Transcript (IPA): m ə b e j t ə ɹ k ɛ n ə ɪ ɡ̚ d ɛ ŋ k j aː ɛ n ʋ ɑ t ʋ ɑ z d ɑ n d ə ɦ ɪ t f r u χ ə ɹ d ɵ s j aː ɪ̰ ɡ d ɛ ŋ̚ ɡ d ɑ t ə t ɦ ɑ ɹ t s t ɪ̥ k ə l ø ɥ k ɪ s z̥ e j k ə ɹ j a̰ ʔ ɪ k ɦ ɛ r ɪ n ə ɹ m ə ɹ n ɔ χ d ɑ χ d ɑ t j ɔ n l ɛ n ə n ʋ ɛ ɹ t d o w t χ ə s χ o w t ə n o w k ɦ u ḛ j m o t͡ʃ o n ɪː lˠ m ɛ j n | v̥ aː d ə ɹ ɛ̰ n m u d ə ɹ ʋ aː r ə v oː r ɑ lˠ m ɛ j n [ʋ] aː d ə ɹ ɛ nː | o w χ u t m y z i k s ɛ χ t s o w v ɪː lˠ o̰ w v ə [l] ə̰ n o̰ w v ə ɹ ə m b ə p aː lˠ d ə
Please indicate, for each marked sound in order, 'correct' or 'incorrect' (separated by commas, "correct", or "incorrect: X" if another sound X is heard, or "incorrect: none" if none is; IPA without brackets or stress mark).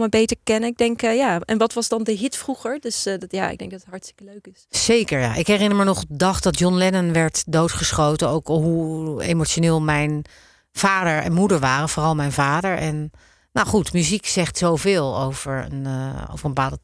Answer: incorrect: v, incorrect: ɹ